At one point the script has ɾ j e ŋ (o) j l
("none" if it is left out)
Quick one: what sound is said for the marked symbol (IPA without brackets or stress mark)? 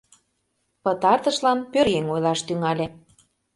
o